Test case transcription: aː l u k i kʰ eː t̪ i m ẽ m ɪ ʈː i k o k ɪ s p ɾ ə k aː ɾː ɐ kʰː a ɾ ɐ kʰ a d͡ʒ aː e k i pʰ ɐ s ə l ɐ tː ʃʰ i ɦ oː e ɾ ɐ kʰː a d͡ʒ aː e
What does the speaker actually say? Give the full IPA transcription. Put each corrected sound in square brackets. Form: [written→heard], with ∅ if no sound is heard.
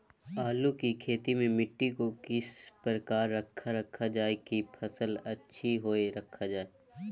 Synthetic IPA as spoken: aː l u k i kʰ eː t̪ i m ẽ m ɪ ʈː i k o k ɪ s p ɾ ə k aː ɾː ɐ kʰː a ɾ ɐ kʰ a d͡ʒ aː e k i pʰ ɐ s ə l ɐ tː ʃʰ i ɦ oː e ɾ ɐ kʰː a d͡ʒ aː e